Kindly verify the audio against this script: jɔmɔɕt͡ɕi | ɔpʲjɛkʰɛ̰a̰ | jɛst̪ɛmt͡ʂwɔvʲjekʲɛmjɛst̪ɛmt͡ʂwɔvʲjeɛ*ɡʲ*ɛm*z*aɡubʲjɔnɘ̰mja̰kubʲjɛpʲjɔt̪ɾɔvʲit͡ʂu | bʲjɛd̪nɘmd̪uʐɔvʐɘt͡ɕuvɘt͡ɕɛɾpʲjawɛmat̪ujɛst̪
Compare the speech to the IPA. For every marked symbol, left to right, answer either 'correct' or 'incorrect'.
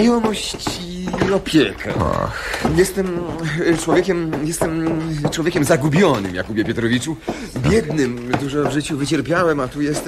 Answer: incorrect: kʲ, correct

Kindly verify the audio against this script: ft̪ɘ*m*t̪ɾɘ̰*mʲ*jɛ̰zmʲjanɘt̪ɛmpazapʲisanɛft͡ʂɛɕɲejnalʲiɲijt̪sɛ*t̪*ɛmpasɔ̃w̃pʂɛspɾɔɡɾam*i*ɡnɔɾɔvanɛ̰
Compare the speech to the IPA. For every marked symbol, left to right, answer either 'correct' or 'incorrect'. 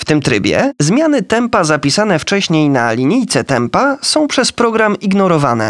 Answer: correct, incorrect: bʲ, correct, correct

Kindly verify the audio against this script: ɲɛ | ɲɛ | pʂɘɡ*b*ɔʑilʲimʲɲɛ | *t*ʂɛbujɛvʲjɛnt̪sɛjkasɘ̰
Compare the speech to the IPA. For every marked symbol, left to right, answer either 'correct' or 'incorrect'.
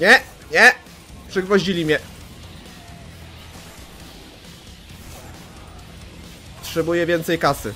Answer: incorrect: v, correct

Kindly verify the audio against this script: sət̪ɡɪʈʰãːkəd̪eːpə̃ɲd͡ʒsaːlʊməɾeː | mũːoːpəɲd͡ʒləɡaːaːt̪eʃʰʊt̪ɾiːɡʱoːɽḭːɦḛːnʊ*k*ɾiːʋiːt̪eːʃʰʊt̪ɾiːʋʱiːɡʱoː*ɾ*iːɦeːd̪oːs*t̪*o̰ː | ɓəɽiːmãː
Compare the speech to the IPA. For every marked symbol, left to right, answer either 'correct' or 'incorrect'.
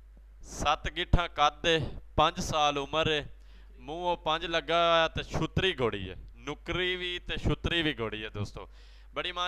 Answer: correct, incorrect: ɽ, correct

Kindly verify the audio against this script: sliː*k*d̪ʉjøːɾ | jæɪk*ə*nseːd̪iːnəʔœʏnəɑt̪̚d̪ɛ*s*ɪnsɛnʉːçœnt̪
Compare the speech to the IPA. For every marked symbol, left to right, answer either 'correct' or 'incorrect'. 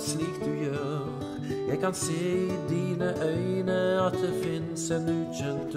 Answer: correct, incorrect: ɑ, incorrect: f

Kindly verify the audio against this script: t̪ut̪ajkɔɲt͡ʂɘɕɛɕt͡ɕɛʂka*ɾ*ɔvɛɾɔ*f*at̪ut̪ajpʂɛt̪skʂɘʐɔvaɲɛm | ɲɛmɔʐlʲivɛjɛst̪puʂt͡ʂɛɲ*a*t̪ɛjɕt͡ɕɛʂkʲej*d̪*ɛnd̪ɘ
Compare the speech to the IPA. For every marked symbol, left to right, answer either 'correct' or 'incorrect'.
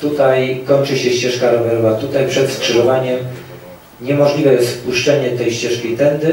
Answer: correct, incorrect: v, incorrect: ɛ, incorrect: t̪

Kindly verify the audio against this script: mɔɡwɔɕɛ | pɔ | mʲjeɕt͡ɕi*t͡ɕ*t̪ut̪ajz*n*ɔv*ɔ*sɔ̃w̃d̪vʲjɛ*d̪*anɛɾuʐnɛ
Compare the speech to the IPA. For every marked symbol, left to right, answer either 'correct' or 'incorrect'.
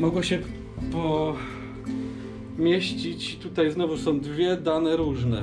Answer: correct, correct, incorrect: u, correct

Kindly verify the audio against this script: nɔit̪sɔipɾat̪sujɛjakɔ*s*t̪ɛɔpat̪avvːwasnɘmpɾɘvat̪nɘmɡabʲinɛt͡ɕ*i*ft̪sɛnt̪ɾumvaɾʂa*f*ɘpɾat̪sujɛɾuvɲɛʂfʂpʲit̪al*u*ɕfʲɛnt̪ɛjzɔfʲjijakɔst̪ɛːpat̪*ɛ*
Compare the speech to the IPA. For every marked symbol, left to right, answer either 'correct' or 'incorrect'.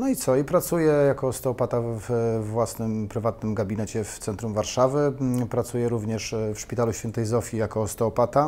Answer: correct, incorrect: ɛ, incorrect: v, correct, incorrect: a

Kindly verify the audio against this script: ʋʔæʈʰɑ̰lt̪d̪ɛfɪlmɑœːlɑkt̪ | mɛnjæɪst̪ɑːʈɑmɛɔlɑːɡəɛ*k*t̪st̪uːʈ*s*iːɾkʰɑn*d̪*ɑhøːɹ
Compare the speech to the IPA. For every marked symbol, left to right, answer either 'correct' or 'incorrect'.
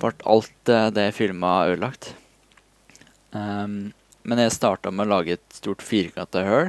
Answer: incorrect: none, incorrect: f, incorrect: t̪

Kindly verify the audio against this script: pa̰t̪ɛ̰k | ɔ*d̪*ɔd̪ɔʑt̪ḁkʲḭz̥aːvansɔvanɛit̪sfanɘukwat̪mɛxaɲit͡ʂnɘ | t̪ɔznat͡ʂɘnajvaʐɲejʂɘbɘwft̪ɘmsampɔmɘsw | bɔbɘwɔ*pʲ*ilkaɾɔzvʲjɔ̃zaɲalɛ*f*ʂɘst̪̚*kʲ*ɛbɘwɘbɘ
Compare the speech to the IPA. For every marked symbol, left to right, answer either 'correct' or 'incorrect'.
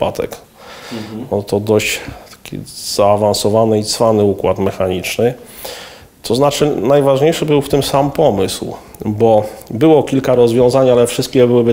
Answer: incorrect: t̪, incorrect: kʲ, correct, correct

